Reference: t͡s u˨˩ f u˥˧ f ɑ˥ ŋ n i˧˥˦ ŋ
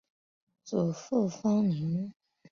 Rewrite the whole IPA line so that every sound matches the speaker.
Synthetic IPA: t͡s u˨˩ f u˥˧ f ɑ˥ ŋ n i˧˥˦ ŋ